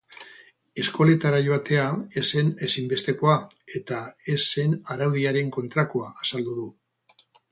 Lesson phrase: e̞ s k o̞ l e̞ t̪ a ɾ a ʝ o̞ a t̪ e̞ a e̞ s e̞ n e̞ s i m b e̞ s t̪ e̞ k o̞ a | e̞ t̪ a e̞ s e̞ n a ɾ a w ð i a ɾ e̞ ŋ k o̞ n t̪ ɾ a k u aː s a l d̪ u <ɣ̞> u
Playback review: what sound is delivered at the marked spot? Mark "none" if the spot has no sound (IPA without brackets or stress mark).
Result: ð̞